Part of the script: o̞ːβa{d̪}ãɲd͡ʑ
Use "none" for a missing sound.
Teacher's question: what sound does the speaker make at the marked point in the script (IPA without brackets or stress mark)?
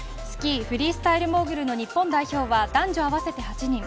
d̪